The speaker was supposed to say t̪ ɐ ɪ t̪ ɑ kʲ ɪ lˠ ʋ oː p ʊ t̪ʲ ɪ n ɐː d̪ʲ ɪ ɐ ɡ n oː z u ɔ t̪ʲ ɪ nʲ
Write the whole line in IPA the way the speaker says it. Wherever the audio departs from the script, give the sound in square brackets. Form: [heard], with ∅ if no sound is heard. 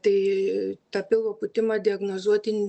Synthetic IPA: t̪ ɐ ɪ t̪ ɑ [pʲ] ɪ lˠ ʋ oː p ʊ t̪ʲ ɪ [m] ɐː d̪ʲ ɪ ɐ ɡ n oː z u ɔ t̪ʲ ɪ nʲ